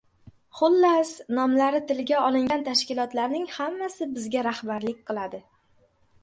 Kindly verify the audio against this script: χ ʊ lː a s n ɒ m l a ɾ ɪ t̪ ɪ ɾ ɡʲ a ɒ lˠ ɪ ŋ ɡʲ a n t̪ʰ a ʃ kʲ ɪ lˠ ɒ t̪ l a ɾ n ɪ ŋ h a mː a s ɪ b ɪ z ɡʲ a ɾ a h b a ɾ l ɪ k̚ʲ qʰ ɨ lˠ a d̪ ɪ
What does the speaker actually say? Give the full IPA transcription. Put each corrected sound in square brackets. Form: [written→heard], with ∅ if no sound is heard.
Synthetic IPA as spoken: χ ʊ lː a s n ɒ m l a ɾ ɪ t̪ ɪ [ɾ→l] ɡʲ a ɒ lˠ ɪ ŋ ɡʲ a n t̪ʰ a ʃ kʲ ɪ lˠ ɒ t̪ l a ɾ n ɪ ŋ h a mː a s ɪ b ɪ z ɡʲ a ɾ a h b a ɾ l ɪ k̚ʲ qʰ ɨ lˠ a d̪ ɪ